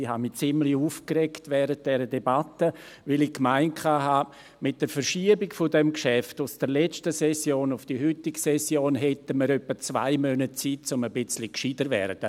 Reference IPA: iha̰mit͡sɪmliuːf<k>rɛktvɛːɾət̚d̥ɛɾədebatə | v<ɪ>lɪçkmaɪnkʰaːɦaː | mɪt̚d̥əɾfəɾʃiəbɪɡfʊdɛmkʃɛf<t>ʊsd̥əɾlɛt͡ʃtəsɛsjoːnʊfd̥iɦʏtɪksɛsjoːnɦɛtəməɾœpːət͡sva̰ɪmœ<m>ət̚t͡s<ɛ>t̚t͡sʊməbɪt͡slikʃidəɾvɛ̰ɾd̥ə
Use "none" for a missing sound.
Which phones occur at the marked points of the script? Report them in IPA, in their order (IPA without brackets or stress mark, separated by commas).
k, ɪ, t, n, i